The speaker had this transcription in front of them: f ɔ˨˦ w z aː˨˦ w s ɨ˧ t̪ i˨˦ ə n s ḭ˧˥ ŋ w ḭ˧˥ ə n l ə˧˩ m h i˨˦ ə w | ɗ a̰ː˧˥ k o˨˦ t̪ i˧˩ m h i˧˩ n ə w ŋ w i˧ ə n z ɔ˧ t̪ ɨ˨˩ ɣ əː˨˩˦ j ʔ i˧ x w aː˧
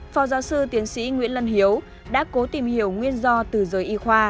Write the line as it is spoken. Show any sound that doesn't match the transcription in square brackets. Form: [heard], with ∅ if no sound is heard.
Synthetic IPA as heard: f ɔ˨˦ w z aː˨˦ w s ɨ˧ t̪ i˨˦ ə n s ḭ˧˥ ŋ w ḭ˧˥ ə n l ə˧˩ [n] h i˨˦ ə w | ɗ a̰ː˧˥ k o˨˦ t̪ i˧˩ m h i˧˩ [∅] ə w ŋ w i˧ ə n z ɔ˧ t̪ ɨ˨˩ [z] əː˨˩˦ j ʔ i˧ x w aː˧

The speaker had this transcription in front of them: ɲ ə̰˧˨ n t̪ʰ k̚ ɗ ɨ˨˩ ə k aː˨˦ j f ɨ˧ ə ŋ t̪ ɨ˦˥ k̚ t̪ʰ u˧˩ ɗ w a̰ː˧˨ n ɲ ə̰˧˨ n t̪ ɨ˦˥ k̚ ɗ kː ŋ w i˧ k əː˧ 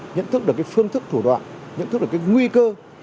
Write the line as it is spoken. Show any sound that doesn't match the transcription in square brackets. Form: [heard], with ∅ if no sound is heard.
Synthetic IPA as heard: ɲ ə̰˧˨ n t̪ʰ k̚ ɗ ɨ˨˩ ə k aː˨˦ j f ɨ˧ ə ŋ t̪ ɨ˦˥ k̚ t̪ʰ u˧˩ ɗ w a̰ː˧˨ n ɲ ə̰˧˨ n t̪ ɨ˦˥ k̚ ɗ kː ŋ w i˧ k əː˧

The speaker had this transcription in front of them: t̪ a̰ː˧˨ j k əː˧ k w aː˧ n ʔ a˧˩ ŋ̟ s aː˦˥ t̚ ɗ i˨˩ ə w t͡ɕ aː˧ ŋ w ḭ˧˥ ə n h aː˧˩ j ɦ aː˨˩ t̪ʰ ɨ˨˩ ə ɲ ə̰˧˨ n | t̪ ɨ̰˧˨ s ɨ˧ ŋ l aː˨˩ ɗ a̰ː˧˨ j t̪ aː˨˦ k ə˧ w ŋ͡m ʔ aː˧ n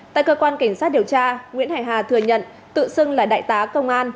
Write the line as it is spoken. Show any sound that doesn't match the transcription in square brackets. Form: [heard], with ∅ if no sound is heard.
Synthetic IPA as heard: t̪ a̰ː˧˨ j k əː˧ k w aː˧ n [k] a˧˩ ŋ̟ s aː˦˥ t̚ ɗ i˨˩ ə w t͡ɕ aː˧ ŋ w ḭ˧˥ ə n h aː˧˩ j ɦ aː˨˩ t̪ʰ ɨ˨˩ ə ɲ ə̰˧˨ n | t̪ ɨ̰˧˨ s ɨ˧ ŋ l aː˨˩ ɗ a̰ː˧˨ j t̪ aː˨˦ k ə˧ w ŋ͡m ʔ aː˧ n

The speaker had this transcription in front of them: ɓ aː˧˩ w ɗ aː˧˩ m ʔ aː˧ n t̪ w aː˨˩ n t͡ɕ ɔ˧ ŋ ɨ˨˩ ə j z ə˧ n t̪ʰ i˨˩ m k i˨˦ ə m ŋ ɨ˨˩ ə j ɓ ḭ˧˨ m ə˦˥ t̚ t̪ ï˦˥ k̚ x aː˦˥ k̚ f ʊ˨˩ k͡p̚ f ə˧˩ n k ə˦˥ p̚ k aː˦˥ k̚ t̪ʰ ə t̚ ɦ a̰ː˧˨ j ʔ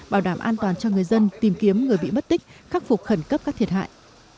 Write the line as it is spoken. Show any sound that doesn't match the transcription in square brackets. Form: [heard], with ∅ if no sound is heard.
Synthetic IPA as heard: ɓ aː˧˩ w ɗ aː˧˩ m ʔ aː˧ n t̪ w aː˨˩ n t͡ɕ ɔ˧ ŋ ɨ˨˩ ə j z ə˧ n [t̪] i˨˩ m k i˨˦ ə m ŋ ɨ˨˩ ə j ɓ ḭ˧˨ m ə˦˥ t̚ t̪ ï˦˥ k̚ x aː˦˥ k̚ f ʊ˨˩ k͡p̚ [x] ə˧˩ n k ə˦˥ p̚ k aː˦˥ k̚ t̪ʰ ə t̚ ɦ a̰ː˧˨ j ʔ

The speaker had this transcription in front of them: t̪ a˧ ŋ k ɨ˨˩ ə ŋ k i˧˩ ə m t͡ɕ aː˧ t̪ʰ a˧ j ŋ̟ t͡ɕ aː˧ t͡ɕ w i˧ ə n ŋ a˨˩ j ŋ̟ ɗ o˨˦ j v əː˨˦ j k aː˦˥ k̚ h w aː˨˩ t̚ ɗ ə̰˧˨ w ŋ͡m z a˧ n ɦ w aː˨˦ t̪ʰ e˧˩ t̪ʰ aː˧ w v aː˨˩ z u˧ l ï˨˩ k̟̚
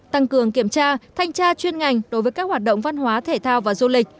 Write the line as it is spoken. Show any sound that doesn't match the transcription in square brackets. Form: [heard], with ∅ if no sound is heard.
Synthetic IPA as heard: t̪ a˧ ŋ k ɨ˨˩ ə ŋ k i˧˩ ə m t͡ɕ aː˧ t̪ʰ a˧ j ŋ̟ t͡ɕ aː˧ t͡ɕ w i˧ ə n ŋ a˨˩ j ŋ̟ ɗ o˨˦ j v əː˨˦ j k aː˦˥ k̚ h w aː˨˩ t̚ ɗ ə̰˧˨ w ŋ͡m [v] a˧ n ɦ w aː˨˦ t̪ʰ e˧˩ t̪ʰ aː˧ w v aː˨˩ z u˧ l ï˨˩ k̟̚

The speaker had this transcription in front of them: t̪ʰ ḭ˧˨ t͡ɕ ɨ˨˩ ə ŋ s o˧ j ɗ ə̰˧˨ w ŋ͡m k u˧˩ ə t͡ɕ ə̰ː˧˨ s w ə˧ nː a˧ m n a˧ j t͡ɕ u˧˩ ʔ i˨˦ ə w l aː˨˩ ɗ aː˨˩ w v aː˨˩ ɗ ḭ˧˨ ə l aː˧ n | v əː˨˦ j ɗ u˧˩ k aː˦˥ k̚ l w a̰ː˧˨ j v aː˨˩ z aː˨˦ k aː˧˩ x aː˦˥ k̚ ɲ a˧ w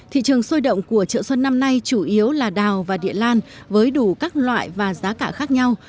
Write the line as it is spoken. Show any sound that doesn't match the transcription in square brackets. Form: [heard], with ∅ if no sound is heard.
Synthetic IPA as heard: t̪ʰ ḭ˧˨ t͡ɕ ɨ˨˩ ə ŋ s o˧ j ɗ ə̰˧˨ w ŋ͡m k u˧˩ ə t͡ɕ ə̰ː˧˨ s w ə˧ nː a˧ m n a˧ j t͡ɕ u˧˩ ʔ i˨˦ ə w l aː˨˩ ɗ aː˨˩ w v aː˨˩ ɗ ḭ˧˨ ə l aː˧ n | v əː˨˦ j ɗ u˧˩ k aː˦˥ k̚ l w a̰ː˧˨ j v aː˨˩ z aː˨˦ k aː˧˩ x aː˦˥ k̚ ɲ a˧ w

